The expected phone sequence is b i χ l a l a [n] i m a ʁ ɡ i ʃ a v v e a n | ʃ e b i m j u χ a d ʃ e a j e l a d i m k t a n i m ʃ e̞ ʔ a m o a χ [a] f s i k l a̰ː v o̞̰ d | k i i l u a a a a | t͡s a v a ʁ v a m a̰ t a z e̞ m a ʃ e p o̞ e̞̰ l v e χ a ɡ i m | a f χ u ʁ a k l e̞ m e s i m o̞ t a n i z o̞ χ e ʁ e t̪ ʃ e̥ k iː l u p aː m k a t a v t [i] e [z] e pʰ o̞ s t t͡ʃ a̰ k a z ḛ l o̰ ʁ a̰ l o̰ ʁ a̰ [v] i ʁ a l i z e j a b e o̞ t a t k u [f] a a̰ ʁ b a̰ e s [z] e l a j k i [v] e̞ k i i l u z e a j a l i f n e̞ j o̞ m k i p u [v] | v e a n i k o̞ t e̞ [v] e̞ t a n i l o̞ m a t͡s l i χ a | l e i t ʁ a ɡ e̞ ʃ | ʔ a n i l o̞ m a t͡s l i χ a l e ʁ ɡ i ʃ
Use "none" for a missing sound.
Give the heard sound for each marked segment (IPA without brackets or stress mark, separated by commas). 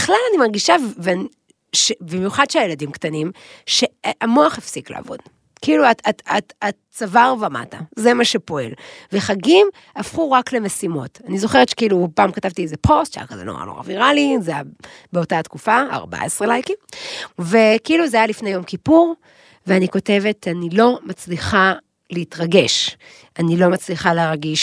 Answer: n, e, i, z, v, f, ʁ, v, ʁ, v